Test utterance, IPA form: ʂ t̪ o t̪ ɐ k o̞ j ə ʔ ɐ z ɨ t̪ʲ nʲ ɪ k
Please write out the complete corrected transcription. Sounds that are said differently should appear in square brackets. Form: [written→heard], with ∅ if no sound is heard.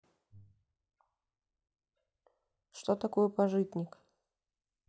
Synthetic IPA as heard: ʂ t̪ o t̪ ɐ k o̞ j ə [ʔ→p] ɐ [z→ʐ] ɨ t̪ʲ nʲ ɪ k